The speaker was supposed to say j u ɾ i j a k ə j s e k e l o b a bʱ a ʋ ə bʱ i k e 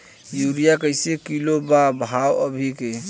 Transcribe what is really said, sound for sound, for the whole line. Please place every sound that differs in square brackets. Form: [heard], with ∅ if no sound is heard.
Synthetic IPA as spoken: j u ɾ i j a k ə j s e k [i] l o b a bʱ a [w] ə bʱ i k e